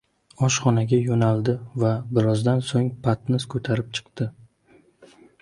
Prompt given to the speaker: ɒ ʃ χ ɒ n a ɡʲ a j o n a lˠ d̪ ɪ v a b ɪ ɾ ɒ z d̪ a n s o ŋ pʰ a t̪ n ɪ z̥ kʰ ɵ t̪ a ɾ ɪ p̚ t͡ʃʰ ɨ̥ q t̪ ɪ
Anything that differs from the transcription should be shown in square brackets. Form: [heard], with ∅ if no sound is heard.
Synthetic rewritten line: ɒ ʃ χ ɒ n a ɡʲ a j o n a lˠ d̪ ɪ v a b ɪ ɾ ɒ z d̪ a n s o ŋ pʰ a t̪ n ɪ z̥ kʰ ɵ [t̪ʰ] a ɾ ɪ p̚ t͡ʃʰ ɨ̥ q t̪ ɪ